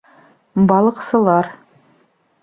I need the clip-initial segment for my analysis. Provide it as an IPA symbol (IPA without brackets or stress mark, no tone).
b